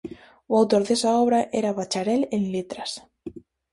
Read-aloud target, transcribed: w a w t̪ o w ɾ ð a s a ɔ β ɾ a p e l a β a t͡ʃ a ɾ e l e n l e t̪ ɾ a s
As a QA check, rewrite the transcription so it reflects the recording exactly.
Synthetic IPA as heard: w a w t̪ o ɾ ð e s a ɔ β ɾ a ʔ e ɾ a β a t͡ʃ a ɾ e l e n l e t̪ ɾ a s